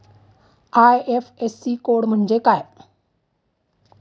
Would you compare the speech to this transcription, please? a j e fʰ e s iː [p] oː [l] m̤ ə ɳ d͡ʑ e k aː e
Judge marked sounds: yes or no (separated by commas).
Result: no, no